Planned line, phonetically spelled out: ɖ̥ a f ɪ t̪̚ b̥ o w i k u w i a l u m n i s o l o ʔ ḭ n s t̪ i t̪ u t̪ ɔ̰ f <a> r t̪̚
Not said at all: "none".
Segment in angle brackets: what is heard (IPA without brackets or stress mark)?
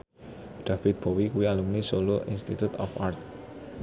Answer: a